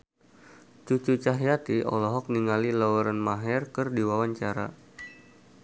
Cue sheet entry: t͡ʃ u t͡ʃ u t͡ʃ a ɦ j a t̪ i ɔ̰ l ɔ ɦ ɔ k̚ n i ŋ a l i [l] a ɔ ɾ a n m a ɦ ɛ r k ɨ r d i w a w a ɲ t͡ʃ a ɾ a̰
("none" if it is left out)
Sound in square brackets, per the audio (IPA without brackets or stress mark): l